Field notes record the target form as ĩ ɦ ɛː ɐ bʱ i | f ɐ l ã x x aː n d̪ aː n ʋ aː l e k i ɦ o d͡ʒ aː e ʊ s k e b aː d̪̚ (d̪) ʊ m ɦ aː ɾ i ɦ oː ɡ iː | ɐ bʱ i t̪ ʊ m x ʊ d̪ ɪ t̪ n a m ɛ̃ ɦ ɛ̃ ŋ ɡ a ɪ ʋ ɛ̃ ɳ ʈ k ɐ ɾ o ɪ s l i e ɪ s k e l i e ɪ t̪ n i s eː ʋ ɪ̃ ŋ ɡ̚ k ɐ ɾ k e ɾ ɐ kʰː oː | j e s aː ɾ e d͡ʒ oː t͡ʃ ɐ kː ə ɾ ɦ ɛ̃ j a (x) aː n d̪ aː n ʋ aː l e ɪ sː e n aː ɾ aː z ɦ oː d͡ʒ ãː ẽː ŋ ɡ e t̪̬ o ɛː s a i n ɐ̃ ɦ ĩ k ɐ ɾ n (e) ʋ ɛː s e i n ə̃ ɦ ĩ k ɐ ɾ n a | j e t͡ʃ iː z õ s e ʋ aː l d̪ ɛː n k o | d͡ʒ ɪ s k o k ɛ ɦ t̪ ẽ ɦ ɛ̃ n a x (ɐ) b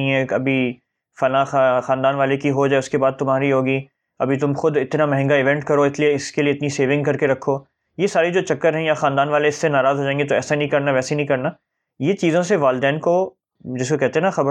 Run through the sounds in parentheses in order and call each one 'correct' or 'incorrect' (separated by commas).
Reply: incorrect, correct, incorrect, correct